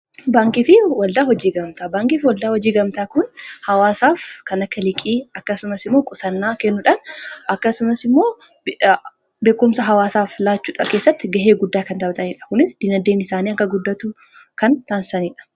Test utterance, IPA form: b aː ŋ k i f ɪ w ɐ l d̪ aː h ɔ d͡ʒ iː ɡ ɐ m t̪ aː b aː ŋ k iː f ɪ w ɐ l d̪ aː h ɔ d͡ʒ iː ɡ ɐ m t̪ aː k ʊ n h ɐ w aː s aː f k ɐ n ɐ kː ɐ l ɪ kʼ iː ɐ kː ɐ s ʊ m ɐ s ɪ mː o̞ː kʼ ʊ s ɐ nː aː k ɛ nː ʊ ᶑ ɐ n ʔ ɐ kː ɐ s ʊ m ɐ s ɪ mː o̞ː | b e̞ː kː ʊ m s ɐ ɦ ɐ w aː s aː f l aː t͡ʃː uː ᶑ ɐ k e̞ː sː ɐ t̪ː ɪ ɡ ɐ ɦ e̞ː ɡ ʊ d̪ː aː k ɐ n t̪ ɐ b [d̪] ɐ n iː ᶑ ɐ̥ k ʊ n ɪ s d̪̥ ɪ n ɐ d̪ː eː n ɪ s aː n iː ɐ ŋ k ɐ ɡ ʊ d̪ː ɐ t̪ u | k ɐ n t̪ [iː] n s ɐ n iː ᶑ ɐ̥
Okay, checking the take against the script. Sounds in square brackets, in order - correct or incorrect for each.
incorrect: t̪, incorrect: aː

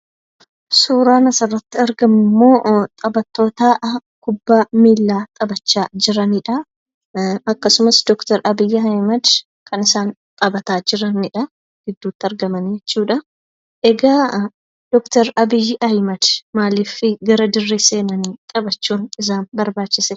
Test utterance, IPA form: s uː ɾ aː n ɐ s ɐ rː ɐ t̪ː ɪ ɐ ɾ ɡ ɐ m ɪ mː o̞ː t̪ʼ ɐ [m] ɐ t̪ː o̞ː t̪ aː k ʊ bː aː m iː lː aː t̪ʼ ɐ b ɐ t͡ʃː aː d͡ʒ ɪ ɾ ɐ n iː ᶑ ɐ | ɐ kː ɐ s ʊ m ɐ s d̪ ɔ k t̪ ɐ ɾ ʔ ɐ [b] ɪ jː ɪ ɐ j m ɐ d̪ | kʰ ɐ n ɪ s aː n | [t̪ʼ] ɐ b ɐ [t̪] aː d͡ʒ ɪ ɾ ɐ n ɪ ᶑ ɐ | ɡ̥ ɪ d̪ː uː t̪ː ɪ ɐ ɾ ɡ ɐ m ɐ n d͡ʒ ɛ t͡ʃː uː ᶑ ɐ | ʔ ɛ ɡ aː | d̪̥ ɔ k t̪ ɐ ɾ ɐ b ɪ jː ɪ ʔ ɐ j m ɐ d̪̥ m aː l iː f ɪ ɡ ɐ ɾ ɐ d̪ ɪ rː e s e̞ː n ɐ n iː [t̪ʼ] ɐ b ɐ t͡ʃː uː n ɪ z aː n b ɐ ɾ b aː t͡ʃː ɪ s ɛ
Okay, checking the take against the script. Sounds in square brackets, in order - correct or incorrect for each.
incorrect: b, correct, correct, correct, correct

